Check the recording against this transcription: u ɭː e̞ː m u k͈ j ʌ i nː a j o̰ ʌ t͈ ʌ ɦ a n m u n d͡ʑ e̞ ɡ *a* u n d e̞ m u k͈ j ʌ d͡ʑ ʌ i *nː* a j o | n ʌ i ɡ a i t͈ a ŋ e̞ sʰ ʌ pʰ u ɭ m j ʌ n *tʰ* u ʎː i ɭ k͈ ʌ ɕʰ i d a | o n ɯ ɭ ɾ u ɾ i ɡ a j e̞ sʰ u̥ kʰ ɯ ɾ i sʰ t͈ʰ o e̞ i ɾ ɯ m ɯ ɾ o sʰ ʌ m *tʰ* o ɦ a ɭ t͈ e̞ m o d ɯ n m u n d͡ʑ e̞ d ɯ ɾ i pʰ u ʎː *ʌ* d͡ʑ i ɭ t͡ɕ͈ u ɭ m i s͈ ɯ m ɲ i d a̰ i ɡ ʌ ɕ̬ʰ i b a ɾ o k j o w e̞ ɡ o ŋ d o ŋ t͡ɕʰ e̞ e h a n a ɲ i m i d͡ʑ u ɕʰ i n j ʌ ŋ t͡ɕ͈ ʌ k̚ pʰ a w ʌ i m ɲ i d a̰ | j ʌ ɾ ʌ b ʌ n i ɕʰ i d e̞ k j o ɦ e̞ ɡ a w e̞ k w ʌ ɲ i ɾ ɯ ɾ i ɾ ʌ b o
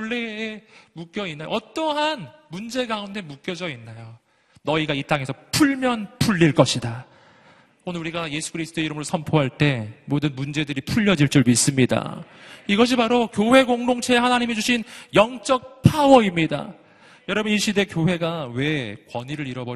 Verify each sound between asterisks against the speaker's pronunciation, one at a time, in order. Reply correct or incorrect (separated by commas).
correct, correct, incorrect, incorrect, correct